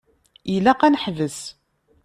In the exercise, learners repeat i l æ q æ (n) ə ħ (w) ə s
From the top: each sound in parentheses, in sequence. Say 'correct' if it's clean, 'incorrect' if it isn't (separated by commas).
correct, incorrect